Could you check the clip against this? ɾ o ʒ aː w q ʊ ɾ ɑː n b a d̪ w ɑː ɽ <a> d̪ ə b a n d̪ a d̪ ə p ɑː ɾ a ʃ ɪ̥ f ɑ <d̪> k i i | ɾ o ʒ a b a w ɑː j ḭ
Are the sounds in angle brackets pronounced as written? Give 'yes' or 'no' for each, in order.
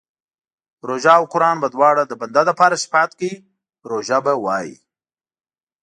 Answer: yes, no

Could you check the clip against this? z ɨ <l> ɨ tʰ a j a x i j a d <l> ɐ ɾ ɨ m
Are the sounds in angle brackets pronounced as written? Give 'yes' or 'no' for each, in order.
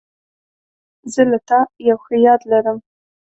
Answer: yes, yes

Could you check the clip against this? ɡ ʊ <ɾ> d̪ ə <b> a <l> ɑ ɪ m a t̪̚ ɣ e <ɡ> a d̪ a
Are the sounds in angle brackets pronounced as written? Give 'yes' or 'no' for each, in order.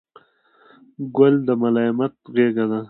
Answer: no, no, yes, yes

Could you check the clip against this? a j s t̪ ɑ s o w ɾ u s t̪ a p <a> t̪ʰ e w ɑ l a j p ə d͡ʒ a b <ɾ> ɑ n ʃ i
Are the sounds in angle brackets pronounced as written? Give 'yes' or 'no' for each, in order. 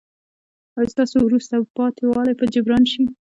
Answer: no, yes

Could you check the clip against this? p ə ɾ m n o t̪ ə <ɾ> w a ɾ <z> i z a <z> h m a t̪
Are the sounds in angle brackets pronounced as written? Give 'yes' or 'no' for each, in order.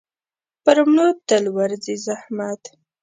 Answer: no, yes, no

